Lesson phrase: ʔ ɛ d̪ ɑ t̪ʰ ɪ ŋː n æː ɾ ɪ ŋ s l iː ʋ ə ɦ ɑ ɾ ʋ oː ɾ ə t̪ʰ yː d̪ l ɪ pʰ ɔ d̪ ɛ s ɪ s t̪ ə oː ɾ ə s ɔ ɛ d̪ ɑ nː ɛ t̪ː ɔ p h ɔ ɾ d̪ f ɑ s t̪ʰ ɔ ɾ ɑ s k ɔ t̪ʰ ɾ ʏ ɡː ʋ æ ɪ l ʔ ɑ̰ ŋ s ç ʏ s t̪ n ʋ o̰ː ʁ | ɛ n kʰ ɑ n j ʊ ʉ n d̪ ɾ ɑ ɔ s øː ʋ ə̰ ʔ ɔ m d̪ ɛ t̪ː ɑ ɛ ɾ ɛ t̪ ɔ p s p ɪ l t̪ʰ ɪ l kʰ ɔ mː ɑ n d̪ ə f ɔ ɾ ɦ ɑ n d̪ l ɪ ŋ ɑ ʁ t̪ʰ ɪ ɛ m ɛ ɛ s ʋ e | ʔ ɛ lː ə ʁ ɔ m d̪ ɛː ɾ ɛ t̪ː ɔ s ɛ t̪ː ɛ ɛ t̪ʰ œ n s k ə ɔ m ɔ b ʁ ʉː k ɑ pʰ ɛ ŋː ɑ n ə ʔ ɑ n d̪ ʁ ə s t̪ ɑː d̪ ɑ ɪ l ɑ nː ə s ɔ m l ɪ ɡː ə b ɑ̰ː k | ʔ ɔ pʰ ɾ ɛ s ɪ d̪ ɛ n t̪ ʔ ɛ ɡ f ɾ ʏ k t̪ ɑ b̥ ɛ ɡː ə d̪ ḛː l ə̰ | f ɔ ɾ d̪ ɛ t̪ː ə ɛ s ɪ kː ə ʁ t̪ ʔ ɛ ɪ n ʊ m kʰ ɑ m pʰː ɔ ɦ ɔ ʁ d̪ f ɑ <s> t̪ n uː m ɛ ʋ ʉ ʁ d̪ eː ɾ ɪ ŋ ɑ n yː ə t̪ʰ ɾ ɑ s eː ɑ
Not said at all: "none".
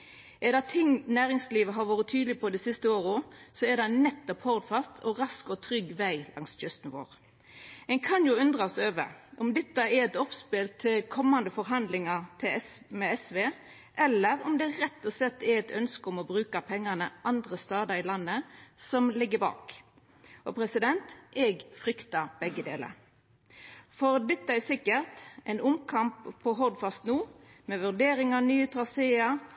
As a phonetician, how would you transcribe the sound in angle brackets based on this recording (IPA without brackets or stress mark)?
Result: s